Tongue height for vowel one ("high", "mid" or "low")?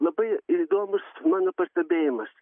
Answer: low